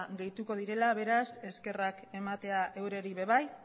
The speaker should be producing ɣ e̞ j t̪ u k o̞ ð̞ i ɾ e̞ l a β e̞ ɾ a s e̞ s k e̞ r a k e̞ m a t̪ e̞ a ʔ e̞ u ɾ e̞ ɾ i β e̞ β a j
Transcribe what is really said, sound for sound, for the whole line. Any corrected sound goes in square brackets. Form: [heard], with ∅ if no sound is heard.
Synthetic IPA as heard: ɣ e̞ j t̪ u k o̞ ð̞ i ɾ e̞ l a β e̞ ɾ a s e̞ s k e̞ r a k e̞ m a t̪ e̞ a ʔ e̞ [w] ɾ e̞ ɾ i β e̞ β a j